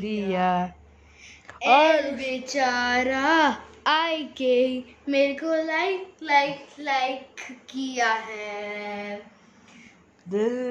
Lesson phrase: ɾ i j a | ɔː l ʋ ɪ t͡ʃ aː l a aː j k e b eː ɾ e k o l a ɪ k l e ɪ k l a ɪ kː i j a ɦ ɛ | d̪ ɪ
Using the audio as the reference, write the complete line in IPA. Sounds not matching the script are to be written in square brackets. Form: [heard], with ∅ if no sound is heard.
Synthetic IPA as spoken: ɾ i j a | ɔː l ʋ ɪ t͡ʃ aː [ɾ] a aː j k e [m] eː ɾ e k o l a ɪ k l [a] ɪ k l a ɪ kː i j a ɦ ɛ | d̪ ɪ